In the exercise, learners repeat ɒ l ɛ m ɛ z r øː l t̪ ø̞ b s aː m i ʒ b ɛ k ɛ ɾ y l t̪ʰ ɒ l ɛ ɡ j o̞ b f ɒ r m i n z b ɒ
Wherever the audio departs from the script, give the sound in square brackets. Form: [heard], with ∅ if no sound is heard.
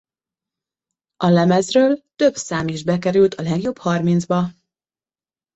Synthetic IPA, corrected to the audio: ɒ l ɛ m ɛ z r øː l t̪ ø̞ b s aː m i ʒ b ɛ k ɛ ɾ y l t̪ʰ ɒ l ɛ ɡ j o̞ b [h] ɒ r m i n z b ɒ

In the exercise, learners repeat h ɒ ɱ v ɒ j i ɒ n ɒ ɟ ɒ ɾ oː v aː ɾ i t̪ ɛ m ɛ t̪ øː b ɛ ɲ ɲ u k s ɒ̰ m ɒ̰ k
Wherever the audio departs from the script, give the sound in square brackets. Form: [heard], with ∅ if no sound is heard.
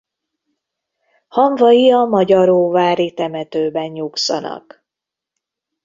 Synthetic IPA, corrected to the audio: h ɒ ɱ v ɒ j i ɒ [m] ɒ ɟ ɒ ɾ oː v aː ɾ i t̪ ɛ m ɛ t̪ øː b ɛ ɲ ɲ u k s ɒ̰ [n] ɒ̰ k

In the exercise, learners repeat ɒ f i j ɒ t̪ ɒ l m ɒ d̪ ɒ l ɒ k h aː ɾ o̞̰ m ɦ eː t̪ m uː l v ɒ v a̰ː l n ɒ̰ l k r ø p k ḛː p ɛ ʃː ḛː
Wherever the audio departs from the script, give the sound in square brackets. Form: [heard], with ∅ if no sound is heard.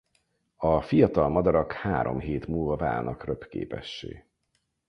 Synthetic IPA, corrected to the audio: ɒ f i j ɒ t̪ ɒ l m ɒ d̪ ɒ [ɾ] ɒ k h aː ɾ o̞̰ m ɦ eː t̪ m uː l v ɒ v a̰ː l n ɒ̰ [∅] k r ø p k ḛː p ɛ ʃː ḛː

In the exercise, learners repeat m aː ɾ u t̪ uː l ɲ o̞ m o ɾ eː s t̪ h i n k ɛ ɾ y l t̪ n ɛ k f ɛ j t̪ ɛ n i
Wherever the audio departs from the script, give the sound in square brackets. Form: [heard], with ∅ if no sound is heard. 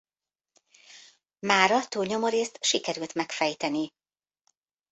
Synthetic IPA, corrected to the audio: m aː ɾ [ɒ] t̪ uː l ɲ o̞ m o ɾ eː s t̪ [ʃ] i [∅] k ɛ ɾ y l t̪ [m] ɛ k f ɛ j t̪ ɛ n i

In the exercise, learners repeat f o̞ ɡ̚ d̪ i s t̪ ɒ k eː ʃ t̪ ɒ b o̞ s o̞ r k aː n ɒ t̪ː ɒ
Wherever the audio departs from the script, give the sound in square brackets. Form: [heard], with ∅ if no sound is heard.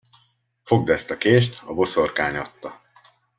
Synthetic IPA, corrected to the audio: f o̞ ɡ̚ d̪ [ɛ] s t̪ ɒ k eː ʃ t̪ ɒ b o̞ s o̞ r k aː [ɲ] ɒ t̪ː ɒ

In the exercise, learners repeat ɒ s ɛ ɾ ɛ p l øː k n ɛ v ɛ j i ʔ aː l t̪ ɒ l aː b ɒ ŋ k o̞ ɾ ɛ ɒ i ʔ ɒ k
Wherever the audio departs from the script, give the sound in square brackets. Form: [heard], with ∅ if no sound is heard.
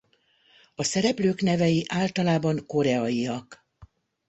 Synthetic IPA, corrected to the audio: ɒ s ɛ ɾ ɛ p l øː k n ɛ v ɛ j i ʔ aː l t̪ ɒ l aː b ɒ ŋ k o̞ ɾ ɛ ɒ i [∅] ɒ k

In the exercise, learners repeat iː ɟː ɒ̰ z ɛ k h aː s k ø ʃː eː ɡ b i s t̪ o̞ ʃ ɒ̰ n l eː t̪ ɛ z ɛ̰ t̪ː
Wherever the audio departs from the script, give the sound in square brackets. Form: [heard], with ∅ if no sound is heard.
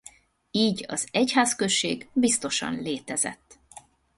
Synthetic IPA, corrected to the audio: iː [ɟ] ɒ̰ z ɛ [c] h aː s k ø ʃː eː ɡ b i s t̪ o̞ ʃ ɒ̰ n l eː t̪ ɛ z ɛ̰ t̪ː

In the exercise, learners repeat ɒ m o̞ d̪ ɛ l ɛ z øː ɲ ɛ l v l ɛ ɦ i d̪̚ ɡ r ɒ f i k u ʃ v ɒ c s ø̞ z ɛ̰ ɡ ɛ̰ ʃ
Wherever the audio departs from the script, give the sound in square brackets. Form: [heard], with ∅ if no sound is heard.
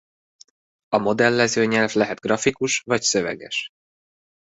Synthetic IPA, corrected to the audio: ɒ m o̞ d̪ ɛ [lː] ɛ z øː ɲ ɛ l v l ɛ ɦ [ɛ] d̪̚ ɡ r ɒ f i k u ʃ v ɒ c s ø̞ [v] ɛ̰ ɡ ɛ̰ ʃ

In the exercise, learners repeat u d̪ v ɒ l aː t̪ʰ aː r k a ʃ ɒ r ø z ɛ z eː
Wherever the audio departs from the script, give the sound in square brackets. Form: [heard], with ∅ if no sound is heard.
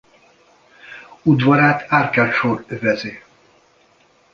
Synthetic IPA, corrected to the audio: u d̪ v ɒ [ɾ] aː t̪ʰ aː r k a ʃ [o] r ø [v] ɛ z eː

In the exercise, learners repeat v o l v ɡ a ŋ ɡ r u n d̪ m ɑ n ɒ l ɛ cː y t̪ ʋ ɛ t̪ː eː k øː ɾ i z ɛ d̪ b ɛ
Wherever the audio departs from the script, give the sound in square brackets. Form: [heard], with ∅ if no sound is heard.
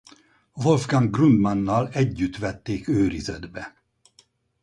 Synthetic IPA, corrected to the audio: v o l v ɡ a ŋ ɡ r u n d̪ m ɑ [nː] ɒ l ɛ [ɟː] y t̪ ʋ ɛ t̪ː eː k øː ɾ i z ɛ d̪ b ɛ

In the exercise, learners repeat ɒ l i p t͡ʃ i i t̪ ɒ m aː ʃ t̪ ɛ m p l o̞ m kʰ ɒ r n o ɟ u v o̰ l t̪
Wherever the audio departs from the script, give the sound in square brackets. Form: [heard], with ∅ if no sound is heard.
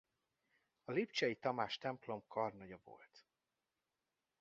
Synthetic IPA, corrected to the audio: ɒ l i p t͡ʃ [ɛ] i t̪ ɒ m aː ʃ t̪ ɛ m p l o̞ m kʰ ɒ r n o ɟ [ɒ] v o̰ l t̪

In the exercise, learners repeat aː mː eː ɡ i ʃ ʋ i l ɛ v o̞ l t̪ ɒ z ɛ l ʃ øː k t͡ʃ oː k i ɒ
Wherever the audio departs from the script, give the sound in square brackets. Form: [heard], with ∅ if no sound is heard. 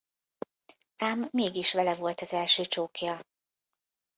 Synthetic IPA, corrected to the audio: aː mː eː ɡ i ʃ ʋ [ɛ] l ɛ v o̞ l t̪ ɒ z ɛ l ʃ øː [∅] t͡ʃ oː k [j] ɒ

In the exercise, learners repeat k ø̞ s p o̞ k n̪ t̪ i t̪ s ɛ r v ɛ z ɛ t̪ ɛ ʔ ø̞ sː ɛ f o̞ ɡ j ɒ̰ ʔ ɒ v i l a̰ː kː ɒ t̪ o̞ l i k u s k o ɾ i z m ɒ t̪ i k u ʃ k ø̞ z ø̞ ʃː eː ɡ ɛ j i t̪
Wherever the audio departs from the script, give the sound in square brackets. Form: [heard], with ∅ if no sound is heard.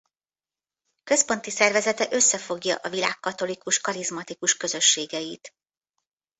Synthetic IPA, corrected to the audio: k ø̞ s p o̞ [∅] n̪ t̪ i [∅] s ɛ r v ɛ z ɛ t̪ ɛ ʔ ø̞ sː ɛ f o̞ ɡ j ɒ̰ ʔ ɒ v i l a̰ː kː ɒ t̪ o̞ l i k u [ʃ] k [ɒ] ɾ i z m ɒ t̪ i k u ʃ k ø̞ z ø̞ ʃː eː ɡ ɛ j i t̪

